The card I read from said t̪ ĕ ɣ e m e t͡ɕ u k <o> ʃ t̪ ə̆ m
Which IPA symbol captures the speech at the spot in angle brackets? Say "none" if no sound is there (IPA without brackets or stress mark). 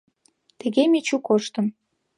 o